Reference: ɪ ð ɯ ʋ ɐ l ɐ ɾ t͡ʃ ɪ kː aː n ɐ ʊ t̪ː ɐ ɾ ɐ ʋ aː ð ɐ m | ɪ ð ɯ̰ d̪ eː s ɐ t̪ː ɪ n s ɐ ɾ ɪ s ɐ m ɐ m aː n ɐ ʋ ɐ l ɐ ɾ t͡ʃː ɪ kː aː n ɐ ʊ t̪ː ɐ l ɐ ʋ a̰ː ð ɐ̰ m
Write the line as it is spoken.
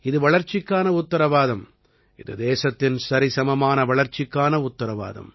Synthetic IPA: ɪ ð ɯ ʋ ɐ ɭ ɐ ɾ t͡ʃ ɪ kː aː n ɐ ʊ t̪ː ɐ ɾ ɐ ʋ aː ð ɐ m | ɪ ð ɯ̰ d̪ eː s ɐ t̪ː ɪ n s ɐ ɾ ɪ s ɐ m ɐ m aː n ɐ ʋ ɐ ɭ ɐ ɾ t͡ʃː ɪ kː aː n ɐ ʊ t̪ː ɐ ɾ ɐ ʋ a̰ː ð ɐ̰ m

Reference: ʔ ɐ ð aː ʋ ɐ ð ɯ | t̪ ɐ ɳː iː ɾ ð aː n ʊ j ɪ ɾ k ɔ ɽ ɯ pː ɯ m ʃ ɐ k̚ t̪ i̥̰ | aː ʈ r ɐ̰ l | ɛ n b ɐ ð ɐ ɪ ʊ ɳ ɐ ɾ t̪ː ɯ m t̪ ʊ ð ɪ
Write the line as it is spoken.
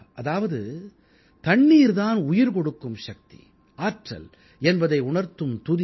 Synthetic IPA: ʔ ɐ ð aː ʋ ɐ ð ɯ | t̪ ɐ ɳː iː ɾ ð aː n ʊ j ɪ ɾ k ɔ ɽ ɯ kː ɯ m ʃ ɐ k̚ t̪ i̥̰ | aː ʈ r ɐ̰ l | ɛ n b ɐ ð ɐ ɪ ʊ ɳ ɐ ɾ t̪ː ɯ m t̪ ʊ ð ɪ

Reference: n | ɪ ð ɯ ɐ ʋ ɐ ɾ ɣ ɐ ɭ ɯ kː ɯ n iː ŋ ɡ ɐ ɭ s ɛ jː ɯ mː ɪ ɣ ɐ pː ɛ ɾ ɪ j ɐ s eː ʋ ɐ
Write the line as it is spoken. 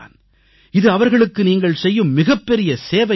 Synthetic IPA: n | ɪ ð ɯ ɐ ʋ ɐ ɾ ɣ ɐ ɭ ɯ kː ɯ n iː ŋ ɡ ɐ ɭ s ɛ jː ɯ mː ɪ ɣ ɐ pː ɛ ɾ ɪ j ɐ s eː ʋ ɐ

